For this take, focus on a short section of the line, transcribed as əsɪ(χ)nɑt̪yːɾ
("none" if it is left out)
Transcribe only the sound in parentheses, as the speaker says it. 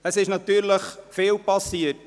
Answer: ʃ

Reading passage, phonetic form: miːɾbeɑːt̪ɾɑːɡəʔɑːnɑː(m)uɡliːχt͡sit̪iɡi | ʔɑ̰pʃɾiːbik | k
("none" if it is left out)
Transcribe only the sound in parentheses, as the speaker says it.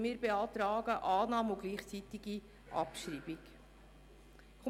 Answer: m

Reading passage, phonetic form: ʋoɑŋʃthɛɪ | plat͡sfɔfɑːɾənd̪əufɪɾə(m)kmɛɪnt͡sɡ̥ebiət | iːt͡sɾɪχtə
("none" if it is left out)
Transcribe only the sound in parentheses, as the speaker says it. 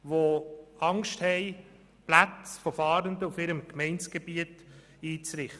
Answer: m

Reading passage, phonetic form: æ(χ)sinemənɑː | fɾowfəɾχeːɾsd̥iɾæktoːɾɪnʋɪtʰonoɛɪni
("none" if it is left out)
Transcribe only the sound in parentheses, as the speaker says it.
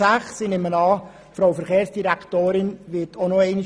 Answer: χ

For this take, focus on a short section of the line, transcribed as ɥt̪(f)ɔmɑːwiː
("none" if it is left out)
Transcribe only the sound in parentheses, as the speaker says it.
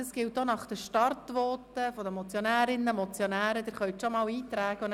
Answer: ʃ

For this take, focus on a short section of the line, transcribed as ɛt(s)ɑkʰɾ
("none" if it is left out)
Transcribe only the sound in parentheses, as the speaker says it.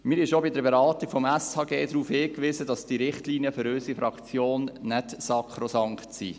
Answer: s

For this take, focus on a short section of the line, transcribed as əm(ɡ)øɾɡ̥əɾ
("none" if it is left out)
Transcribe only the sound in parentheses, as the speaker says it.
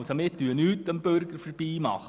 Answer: b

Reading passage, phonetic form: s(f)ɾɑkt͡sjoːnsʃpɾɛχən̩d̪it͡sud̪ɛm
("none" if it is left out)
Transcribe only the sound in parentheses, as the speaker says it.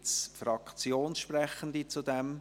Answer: f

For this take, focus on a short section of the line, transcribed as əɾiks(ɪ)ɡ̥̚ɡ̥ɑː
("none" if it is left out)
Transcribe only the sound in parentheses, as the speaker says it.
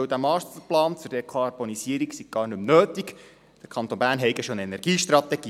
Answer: i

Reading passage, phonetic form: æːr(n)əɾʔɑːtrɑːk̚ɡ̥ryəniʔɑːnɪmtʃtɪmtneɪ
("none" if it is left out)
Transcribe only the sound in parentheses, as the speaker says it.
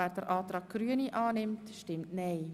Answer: d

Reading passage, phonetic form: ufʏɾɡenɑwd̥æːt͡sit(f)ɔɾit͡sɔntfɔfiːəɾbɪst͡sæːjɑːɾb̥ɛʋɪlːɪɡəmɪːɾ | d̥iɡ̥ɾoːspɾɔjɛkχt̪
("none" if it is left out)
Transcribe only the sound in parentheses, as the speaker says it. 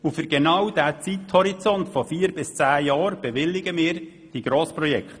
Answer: h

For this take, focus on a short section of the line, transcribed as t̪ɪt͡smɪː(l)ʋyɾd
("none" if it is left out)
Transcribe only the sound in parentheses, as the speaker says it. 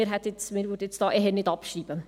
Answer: ɾ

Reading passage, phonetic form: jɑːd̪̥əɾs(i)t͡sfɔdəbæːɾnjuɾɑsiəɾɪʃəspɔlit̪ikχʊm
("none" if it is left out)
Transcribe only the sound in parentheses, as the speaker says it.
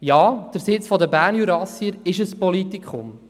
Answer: ɪ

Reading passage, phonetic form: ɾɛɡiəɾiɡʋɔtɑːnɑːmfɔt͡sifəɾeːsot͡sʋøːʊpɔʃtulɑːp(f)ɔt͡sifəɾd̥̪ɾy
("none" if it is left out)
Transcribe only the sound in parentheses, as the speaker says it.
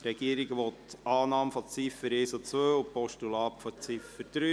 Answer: f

